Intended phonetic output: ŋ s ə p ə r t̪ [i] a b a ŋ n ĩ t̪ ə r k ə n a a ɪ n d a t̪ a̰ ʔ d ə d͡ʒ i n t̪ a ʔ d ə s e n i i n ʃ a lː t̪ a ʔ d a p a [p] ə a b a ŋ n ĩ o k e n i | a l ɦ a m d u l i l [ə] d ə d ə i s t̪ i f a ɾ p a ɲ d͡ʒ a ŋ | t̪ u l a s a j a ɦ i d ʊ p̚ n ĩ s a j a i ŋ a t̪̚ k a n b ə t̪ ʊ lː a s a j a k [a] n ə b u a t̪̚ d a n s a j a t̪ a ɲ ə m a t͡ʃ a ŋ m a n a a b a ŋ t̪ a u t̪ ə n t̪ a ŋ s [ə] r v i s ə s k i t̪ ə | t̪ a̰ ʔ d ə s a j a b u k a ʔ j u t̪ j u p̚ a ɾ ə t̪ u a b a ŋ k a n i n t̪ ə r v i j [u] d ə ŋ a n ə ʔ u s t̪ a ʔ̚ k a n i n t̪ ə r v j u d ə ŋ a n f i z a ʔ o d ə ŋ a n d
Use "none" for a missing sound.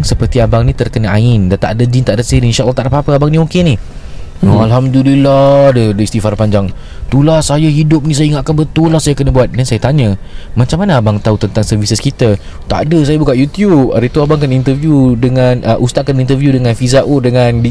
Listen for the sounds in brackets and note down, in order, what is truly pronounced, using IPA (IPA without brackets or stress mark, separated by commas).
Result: i, p, a, ə, ə, u